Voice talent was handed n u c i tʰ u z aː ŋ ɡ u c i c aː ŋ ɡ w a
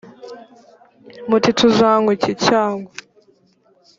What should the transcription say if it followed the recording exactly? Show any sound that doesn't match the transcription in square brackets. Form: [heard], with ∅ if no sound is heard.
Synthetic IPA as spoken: [m] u [t] i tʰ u z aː ŋ ɡ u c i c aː ŋ ɡ w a